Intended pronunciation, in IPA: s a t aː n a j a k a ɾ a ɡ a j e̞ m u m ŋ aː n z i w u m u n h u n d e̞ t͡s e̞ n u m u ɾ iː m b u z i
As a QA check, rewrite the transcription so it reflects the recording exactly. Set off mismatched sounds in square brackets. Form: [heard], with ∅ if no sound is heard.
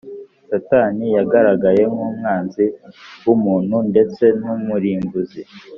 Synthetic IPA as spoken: s a t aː n [i] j a [ɡ] a ɾ a ɡ a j e̞ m u m ŋ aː n z i w u m [uː] n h u n d e̞ t͡s e̞ n u m u ɾ iː m b u z i

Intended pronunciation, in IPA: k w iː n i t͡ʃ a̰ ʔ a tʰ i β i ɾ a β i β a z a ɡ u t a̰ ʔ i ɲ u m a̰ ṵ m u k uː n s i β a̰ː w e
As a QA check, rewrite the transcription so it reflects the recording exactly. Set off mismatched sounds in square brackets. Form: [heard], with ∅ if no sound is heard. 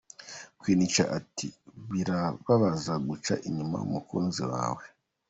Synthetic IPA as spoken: k w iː n i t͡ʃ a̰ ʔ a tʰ i β i ɾ a β [a] β a z a ɡ u [t͡ʃ] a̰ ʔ i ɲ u m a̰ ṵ m u k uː n [z] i [w] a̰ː w e

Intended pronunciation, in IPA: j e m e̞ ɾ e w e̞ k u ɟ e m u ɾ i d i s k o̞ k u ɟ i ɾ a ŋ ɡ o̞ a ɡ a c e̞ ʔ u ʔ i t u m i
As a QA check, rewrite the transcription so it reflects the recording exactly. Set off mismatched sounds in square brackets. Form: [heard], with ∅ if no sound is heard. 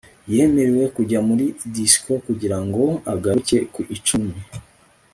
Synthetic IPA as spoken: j e m e̞ ɾ e w e̞ k u ɟ [a] m u ɾ i d i s k o̞ k u ɟ i ɾ a ŋ ɡ o̞ a ɡ a c e̞ [k] u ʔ i [t͡ʃ] u m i

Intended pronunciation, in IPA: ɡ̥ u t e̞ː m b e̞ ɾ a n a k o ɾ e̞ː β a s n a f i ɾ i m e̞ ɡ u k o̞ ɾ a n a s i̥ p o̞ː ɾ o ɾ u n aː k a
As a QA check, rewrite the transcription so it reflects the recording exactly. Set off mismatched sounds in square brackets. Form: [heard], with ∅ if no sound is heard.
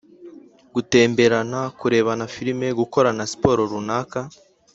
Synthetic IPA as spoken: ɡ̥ u t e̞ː m b e̞ ɾ a n a k [u] ɾ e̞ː β a [∅] n a f i ɾ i m e̞ ɡ u k o̞ ɾ a n a s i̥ p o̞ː ɾ o ɾ u n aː k a

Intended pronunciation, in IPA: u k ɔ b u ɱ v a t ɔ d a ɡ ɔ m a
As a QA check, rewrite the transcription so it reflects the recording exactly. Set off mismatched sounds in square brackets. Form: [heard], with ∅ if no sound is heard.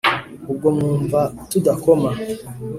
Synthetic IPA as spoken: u [ɡ] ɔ [m] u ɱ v a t [u] d a [k] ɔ m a

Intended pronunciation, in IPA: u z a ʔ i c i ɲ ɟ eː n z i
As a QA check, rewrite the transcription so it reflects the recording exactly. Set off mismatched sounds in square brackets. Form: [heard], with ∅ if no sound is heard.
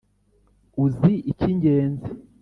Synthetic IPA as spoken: u z [i] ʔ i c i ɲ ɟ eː n z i

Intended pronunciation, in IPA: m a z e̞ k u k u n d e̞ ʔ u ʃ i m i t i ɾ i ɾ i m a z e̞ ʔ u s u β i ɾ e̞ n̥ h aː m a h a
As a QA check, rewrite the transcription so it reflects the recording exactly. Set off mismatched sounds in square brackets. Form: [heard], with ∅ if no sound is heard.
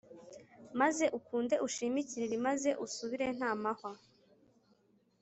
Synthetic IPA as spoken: m a z e̞ [ʔ] u k [uː] n d e̞ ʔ u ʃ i m i [c] i ɾ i ɾ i m a z e̞ ʔ u s u β i ɾ e̞ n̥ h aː m a h a

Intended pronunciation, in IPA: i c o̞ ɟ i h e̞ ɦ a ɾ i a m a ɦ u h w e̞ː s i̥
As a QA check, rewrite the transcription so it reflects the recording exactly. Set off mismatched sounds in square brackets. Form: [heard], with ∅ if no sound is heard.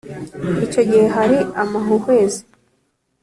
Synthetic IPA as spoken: i c o̞ ɟ i h e̞ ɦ a ɾ i a m a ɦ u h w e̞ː [z] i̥

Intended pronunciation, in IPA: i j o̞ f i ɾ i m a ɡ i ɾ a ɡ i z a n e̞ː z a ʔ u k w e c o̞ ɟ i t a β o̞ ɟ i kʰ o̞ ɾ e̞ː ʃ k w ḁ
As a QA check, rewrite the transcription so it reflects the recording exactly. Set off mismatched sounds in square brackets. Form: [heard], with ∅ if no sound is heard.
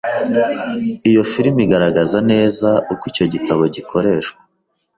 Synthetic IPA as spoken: i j o̞ f i ɾ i m [i] ɡ [a] ɾ a ɡ [a] z a n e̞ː z a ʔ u k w [i] c o̞ ɟ i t a β o̞ ɟ i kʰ o̞ ɾ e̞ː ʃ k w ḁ

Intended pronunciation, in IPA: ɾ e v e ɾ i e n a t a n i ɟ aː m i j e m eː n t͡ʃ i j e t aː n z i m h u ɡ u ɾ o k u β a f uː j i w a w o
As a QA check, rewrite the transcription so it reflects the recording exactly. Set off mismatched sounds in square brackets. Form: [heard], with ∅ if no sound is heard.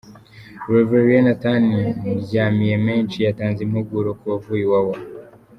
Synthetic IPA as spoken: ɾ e v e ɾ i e n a t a n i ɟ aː m i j e m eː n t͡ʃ i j [a] t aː n z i m h u ɡ u ɾ o k u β a [v] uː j i w a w o

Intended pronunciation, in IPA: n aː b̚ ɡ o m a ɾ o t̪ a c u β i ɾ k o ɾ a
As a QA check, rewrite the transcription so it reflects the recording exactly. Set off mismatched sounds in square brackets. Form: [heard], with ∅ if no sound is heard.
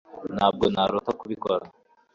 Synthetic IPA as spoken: n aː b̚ ɡ o [n] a ɾ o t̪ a [k] u β i [∅] k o ɾ a

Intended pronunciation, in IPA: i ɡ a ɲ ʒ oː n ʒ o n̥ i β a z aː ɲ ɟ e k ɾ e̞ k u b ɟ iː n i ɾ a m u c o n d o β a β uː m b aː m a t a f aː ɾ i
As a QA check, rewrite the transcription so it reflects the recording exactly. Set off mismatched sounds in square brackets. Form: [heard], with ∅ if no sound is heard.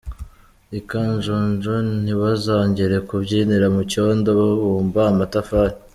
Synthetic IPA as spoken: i [k] a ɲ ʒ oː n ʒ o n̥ i β a z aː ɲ ɟ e [∅] ɾ e̞ k u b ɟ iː n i ɾ a m u c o n d o β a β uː m b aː m a t a f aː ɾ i

